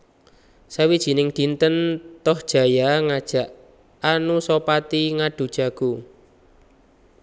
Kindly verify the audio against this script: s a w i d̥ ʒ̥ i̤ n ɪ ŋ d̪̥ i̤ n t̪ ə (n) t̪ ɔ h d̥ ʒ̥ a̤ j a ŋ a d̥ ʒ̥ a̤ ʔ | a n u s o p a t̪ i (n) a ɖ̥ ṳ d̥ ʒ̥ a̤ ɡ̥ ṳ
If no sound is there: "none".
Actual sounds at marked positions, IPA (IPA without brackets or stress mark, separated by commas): n, ŋ